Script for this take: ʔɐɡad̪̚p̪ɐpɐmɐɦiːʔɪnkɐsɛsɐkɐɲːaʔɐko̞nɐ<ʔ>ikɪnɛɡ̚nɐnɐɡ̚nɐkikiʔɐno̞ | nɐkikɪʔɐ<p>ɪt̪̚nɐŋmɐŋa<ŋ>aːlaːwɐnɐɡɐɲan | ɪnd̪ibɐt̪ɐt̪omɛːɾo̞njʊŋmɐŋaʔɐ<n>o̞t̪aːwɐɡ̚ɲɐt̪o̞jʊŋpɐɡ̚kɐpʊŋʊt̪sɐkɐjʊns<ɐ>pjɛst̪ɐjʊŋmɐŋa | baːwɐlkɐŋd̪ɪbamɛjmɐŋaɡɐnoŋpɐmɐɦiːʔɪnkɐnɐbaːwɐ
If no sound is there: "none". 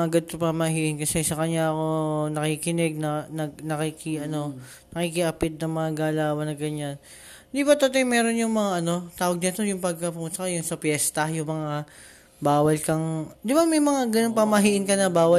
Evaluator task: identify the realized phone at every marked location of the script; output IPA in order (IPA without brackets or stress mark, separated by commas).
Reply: k, p, ɡ, n, ɐ